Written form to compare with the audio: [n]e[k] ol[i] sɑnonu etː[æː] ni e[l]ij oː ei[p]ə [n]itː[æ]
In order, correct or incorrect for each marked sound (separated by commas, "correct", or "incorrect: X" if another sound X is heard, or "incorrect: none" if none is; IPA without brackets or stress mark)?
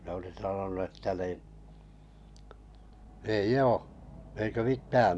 correct, incorrect: none, correct, incorrect: æ, incorrect: none, incorrect: k, incorrect: m, incorrect: æː